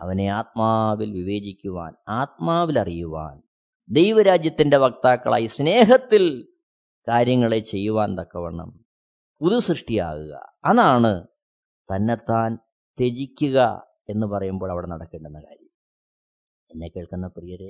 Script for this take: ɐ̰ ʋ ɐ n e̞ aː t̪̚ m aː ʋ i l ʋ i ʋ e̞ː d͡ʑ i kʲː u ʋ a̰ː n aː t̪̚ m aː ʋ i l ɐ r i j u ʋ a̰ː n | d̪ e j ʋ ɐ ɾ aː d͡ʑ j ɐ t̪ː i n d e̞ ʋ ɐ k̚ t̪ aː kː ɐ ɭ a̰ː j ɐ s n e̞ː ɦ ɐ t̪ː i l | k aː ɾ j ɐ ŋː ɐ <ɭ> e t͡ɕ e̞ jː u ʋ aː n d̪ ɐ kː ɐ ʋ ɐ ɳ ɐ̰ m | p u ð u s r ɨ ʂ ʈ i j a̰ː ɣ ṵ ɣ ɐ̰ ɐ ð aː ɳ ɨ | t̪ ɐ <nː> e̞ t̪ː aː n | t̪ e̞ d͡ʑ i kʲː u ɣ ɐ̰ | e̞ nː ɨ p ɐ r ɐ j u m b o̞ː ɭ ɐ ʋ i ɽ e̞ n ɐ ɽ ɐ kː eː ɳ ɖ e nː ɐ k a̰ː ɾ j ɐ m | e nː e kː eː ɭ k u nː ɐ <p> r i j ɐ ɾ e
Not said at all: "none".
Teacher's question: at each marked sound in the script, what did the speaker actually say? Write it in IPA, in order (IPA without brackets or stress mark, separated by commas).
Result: ɭ, nː, p